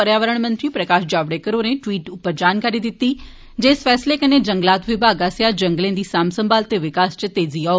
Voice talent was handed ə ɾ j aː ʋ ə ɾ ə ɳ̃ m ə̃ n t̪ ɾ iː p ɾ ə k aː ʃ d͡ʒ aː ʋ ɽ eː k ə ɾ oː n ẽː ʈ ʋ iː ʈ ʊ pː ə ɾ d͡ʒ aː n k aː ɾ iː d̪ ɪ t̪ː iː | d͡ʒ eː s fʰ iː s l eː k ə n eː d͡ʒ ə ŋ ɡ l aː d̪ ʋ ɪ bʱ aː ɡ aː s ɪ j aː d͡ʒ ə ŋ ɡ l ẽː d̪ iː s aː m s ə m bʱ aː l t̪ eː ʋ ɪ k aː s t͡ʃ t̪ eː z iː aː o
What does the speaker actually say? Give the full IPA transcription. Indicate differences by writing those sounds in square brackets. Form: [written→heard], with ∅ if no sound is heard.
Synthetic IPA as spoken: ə ɾ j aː ʋ ə ɾ ə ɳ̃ m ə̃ n t̪ ɾ iː p ɾ ə k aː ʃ d͡ʒ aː ʋ ɽ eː k ə ɾ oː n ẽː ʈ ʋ iː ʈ ʊ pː ə ɾ d͡ʒ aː n k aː ɾ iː d̪ ɪ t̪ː iː | d͡ʒ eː s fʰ [iː→ɛː] s l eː k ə n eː d͡ʒ ə ŋ ɡ l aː [d̪→t̪] ʋ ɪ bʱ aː ɡ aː s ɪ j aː d͡ʒ ə ŋ ɡ l ẽː d̪ iː s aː m s ə m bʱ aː l t̪ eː ʋ ɪ k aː s t͡ʃ t̪ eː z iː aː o